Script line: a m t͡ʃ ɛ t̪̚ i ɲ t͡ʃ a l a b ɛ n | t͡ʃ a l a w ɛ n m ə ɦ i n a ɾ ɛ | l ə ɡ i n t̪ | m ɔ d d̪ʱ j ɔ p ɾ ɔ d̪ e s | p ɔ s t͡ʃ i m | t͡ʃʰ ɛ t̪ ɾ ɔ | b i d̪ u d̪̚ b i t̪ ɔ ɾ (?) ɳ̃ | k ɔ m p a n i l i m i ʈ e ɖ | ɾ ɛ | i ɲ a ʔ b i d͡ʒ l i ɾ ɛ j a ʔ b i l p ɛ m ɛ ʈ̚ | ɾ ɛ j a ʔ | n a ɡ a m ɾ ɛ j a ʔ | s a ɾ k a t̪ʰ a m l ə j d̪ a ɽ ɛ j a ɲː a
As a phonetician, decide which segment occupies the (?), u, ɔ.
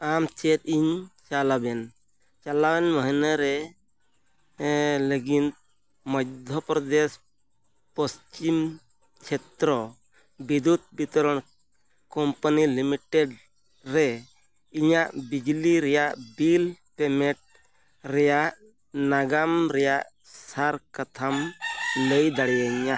ɔ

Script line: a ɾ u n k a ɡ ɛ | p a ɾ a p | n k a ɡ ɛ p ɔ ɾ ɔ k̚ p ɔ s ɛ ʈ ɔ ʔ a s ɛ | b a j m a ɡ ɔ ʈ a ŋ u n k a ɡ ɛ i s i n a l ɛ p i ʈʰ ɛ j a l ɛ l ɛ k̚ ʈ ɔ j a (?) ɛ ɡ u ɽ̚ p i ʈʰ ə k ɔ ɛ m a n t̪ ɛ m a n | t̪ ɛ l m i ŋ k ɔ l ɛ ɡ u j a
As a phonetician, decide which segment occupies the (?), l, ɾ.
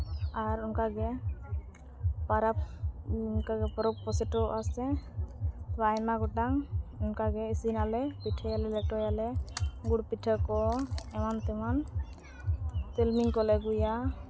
l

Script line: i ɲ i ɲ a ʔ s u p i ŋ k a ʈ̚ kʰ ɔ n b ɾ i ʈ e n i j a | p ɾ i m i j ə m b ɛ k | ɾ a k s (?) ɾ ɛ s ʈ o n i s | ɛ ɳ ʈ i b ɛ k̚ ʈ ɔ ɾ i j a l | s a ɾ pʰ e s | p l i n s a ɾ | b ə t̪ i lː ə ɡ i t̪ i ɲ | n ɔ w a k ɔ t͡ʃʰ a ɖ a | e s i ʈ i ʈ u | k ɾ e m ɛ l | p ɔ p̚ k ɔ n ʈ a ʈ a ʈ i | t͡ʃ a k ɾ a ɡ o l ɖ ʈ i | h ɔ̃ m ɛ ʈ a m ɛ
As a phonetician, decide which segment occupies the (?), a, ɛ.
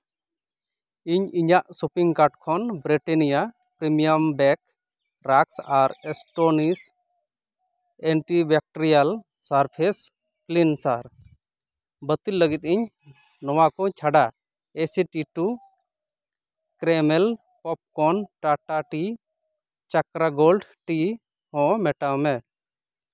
a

